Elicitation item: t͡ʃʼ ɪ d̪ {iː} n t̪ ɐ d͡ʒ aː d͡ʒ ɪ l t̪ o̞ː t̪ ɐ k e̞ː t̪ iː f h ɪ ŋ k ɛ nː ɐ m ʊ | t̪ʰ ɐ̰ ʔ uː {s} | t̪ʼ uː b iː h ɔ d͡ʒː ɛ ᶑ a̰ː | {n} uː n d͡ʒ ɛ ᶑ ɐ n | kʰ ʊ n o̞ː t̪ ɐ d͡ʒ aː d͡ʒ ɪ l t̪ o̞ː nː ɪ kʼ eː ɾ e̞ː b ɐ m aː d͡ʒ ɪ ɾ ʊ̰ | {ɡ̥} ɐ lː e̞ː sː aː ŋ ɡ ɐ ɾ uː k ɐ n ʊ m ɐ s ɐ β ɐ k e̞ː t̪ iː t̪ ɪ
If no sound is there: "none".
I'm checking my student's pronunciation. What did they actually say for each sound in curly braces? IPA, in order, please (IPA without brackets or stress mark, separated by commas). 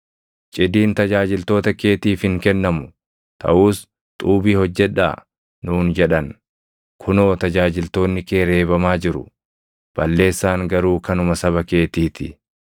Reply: iː, s, n, b̥